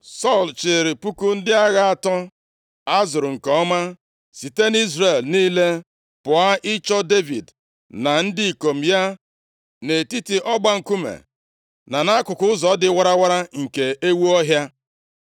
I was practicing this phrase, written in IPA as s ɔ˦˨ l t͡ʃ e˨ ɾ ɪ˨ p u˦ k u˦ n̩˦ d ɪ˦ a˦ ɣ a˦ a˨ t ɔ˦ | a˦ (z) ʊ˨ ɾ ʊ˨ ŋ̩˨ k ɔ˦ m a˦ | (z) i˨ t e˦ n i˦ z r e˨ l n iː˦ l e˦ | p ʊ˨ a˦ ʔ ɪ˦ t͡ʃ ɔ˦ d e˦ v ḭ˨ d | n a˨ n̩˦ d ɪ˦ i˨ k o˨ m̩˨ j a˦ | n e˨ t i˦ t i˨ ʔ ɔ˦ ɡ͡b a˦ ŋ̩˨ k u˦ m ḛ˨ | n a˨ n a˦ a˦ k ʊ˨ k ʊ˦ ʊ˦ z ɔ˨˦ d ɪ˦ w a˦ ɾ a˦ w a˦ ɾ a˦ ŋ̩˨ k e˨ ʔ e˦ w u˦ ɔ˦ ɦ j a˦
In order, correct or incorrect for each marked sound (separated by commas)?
correct, incorrect